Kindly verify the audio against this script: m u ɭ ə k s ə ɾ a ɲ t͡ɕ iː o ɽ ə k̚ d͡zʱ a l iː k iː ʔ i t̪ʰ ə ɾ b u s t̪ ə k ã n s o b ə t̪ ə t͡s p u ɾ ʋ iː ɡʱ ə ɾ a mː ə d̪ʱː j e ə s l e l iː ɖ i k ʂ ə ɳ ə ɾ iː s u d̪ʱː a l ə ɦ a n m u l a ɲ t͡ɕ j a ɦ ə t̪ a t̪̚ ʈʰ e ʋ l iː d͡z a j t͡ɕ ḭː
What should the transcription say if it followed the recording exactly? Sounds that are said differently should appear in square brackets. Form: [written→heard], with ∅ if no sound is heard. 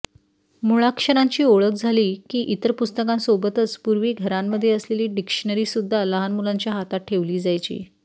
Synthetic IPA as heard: m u ɭ [ə→a] k [s→ʂ] ə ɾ a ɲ t͡ɕ iː o [ɽ→ɭ] ə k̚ d͡zʱ a l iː k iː ʔ i [t̪ʰ→t̪] ə ɾ [b→p] u s t̪ ə k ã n s o b ə t̪ ə t͡s p u ɾ ʋ iː ɡʱ ə ɾ a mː ə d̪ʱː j e ə s l e l iː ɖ i k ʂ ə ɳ ə ɾ iː s u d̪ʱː a l ə ɦ a n m u l a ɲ t͡ɕ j a ɦ [ə→a] t̪ a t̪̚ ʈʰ e ʋ l iː d͡z a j t͡ɕ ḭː

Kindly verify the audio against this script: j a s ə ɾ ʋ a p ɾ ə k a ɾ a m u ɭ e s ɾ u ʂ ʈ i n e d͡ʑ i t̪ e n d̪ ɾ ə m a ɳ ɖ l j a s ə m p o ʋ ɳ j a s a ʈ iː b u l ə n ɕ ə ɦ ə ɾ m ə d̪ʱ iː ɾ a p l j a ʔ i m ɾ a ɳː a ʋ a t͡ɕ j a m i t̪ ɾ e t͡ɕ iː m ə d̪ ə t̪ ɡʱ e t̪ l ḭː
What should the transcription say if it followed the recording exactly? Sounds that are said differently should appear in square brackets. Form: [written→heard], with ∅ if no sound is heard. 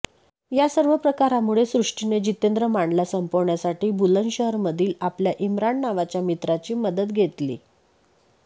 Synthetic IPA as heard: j a s ə ɾ ʋ [a→ə] p ɾ ə k a ɾ a m u ɭ e s ɾ u ʂ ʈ i n e d͡ʑ i t̪ e n d̪ ɾ ə m a ɳ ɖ l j a s ə m p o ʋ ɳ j a s a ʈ iː b u l ə n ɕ ə ɦ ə ɾ m ə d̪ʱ iː [ɾ→l] a p l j a ʔ i m ɾ a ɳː a ʋ a t͡ɕ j a m i t̪ ɾ [e→a] t͡ɕ iː m ə d̪ ə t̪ ɡʱ e t̪ l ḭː

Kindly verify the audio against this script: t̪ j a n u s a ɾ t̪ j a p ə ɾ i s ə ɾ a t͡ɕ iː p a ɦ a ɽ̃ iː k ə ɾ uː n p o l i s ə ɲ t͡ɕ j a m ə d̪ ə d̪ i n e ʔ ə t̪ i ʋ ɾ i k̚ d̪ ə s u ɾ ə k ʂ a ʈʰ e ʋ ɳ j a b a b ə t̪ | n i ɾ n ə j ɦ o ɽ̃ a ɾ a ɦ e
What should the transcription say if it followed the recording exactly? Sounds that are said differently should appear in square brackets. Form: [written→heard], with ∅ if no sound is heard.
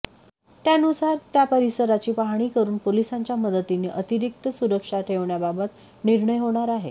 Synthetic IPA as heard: t̪ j a n u s a ɾ t̪ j a p ə ɾ i s ə ɾ a t͡ɕ iː p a ɦ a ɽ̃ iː k ə ɾ uː n p o l i s [ə→a] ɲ t͡ɕ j a m ə d̪ ə [d̪→t̪] i n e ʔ ə t̪ i [ʋ→∅] ɾ i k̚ [d̪→t̪] ə s u ɾ ə k ʂ a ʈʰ e ʋ ɳ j a b a b ə t̪ | n i ɾ [n→ɳ] ə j ɦ o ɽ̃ a ɾ a ɦ e

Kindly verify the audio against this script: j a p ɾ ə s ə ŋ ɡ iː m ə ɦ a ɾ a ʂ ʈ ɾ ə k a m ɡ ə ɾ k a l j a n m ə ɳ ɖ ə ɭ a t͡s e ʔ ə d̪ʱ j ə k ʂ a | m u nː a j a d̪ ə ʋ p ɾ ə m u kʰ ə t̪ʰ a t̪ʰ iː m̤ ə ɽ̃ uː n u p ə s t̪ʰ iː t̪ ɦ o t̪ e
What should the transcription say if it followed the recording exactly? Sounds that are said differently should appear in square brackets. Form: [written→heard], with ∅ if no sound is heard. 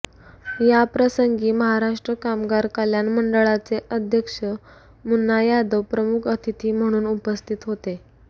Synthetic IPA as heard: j a p ɾ ə s ə ŋ ɡ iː m ə ɦ a ɾ a ʂ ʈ ɾ ə k a m ɡ [ə→a] ɾ k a l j a n m ə ɳ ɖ ə ɭ a t͡s e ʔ ə d̪ʱ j ə k ʂ [a→ə] | m u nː a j a d̪ ə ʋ p ɾ ə m u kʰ ə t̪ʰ [a→i] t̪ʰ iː m̤ ə ɽ̃ uː n u p ə s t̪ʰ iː t̪ ɦ o t̪ e

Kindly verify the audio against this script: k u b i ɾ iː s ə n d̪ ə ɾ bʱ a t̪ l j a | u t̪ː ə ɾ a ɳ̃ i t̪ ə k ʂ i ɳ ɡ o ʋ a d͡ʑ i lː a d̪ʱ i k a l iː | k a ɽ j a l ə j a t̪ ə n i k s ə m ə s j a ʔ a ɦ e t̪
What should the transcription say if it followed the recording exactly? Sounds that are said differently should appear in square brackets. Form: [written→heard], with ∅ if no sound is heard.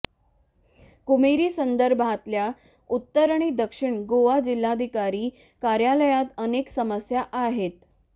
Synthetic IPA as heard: k u [b→m] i ɾ iː s ə n d̪ ə ɾ bʱ a t̪ l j a | u t̪ː ə ɾ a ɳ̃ i [t̪→d̪] ə k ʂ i ɳ ɡ o ʋ a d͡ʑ i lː a d̪ʱ i k a [l→ɾ] iː | k a [ɽ→ɾ] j a l ə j a t̪ ə n [i→e] k s ə m ə s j a ʔ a ɦ e t̪

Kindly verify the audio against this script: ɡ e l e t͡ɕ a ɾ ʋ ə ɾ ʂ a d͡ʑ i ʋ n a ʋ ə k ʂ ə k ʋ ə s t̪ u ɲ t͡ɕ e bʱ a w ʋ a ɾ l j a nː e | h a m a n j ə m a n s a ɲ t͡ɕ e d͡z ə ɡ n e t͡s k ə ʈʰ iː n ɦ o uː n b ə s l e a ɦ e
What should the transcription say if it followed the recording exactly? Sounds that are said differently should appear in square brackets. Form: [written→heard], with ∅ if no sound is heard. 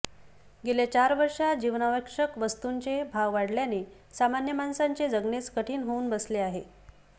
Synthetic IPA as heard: ɡ e l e t͡ɕ a ɾ ʋ ə ɾ ʂ a d͡ʑ i ʋ n a ʋ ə k ʂ ə k ʋ ə s t̪ u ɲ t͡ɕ e bʱ a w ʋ a [ɾ→ɽ] l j a [nː→n] e | [h→s] a m a n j ə m a n s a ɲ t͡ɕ e d͡z ə ɡ n e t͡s k ə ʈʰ iː n ɦ o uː n b ə s l e a ɦ e

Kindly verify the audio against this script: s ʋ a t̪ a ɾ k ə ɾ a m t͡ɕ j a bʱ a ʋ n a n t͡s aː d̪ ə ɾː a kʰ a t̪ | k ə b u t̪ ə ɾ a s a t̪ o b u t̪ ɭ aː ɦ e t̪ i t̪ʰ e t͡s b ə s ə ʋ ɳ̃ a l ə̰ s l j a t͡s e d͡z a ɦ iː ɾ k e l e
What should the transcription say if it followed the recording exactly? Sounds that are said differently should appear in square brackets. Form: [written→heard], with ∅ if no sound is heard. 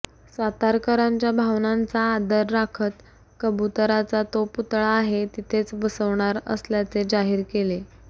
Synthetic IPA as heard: s ʋ a t̪ a ɾ k ə ɾ a [m→ɲ] t͡ɕ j a bʱ a ʋ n a n t͡s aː d̪ ə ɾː a kʰ [a→ə] t̪ | k ə b u t̪ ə ɾ a [s→t͡s] a t̪ o [b→p] u t̪ ɭ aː ɦ e t̪ i t̪ʰ e t͡s b ə s ə ʋ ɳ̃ a [l→ɾ] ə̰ s l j a t͡s e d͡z a ɦ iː ɾ k e l e

